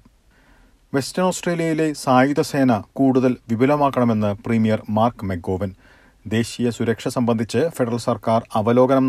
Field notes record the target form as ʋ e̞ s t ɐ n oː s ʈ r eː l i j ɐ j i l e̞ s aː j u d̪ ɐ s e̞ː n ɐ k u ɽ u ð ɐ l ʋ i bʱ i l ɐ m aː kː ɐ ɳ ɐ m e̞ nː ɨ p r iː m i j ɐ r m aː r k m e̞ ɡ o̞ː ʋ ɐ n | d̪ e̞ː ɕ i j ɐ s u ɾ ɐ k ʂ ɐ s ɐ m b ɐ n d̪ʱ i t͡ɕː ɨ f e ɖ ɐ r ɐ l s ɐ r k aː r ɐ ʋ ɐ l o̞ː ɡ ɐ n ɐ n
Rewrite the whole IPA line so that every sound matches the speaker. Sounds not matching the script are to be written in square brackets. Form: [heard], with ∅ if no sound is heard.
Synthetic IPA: ʋ e̞ s t ɐ n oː s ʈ r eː l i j ɐ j i l e̞ s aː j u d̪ ɐ s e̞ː n ɐ k [uː] ɽ u ð ɐ l ʋ i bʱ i l ɐ m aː kː ɐ ɳ ɐ m e̞ nː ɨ p r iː m i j ɐ r m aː r k m e̞ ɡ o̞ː ʋ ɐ n | d̪ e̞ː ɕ i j ɐ s u ɾ ɐ k ʂ ɐ s ɐ m b ɐ n d̪ʱ i t͡ɕː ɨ f e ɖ ɐ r ɐ l s ɐ r k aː r ɐ ʋ ɐ l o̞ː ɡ ɐ n ɐ [m]